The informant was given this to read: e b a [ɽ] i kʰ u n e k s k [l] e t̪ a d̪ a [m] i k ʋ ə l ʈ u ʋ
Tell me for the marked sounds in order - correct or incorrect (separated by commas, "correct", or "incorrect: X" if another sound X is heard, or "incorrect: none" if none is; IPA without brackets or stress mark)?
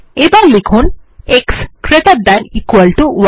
incorrect: l, incorrect: ɾ, incorrect: n